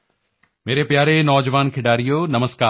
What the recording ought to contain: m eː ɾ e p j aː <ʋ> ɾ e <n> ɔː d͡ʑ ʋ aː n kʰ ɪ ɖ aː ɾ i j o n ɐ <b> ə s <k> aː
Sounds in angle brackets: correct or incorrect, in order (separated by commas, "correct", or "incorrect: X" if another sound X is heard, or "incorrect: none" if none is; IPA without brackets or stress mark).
incorrect: none, correct, incorrect: m, correct